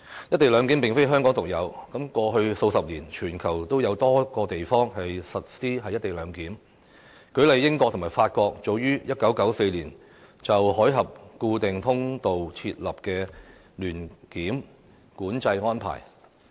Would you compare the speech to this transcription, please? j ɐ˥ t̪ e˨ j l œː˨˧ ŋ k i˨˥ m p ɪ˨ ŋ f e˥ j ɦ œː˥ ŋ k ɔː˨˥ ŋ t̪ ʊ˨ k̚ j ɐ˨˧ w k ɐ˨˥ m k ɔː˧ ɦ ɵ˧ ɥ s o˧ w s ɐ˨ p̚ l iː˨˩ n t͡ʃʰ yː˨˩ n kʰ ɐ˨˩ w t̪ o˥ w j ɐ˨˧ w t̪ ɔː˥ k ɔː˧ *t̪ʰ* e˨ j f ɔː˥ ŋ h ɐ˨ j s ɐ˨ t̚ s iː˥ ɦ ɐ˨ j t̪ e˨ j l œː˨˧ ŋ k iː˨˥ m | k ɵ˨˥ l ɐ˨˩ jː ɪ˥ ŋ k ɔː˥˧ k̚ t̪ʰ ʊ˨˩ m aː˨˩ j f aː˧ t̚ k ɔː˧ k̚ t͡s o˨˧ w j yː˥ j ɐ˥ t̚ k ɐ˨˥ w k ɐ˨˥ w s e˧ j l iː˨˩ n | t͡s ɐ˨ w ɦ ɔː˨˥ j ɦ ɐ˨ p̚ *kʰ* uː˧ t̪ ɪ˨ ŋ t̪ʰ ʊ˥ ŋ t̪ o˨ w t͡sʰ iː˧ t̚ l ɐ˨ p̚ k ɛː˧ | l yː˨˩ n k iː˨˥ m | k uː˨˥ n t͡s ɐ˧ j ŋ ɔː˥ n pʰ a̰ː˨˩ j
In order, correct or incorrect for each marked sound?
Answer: incorrect: t̪, incorrect: k

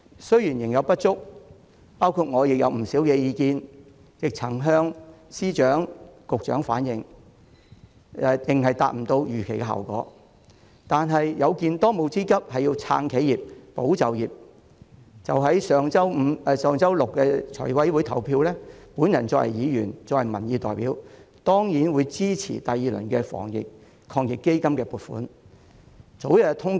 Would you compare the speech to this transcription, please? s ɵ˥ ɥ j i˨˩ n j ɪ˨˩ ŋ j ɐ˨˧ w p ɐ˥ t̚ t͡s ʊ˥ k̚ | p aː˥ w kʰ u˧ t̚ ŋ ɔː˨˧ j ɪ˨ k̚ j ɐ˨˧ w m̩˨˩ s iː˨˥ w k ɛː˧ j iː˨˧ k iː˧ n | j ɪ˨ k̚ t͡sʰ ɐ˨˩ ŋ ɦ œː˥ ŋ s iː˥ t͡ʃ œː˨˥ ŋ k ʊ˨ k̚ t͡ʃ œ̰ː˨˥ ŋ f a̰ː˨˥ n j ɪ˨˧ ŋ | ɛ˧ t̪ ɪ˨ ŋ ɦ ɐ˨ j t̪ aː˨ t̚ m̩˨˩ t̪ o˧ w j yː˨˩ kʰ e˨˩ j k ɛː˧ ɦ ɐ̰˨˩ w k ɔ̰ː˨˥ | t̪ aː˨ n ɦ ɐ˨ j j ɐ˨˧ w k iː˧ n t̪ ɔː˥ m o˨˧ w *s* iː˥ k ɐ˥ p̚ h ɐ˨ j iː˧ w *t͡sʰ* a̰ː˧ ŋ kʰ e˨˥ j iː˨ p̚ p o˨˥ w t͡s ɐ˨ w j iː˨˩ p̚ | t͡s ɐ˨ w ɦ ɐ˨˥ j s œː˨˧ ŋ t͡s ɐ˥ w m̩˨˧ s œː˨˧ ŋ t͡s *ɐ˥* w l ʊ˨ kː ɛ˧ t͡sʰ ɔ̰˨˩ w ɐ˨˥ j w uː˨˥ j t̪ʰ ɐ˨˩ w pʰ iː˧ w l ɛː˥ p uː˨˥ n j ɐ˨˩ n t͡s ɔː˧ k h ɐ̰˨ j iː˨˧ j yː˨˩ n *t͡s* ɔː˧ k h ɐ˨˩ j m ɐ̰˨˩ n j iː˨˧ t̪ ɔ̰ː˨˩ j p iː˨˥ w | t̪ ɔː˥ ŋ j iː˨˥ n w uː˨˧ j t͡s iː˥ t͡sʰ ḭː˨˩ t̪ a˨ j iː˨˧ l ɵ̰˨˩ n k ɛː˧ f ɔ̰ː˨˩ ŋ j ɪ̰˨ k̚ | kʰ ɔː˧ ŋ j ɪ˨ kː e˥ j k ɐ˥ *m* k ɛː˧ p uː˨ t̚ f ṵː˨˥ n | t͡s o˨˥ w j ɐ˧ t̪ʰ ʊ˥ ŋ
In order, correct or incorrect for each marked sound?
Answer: incorrect: t͡s, correct, correct, correct, correct

